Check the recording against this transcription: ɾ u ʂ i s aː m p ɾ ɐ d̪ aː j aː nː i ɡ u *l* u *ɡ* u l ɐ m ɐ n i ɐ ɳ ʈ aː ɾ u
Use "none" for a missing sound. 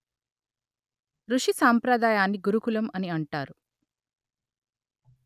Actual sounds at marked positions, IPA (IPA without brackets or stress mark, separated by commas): ɾ, k